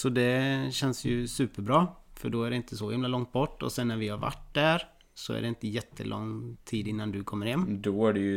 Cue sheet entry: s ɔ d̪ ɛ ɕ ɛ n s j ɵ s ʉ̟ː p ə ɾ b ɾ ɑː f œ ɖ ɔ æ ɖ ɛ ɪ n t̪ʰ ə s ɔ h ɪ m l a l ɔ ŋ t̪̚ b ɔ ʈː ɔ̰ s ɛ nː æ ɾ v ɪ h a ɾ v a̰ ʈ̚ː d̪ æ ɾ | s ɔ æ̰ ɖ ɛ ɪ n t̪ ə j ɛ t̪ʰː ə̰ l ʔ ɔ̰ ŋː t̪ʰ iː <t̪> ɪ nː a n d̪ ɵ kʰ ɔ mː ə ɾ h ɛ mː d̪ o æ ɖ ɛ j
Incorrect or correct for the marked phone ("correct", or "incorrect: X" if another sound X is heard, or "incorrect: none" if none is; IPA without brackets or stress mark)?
incorrect: d̪